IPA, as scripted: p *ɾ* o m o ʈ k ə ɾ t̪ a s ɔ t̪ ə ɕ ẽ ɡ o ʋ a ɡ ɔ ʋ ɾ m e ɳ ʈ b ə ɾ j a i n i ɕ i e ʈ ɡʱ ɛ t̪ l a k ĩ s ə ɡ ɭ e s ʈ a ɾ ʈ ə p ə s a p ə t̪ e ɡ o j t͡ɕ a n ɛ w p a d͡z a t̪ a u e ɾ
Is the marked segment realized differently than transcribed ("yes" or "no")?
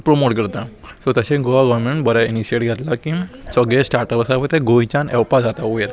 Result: no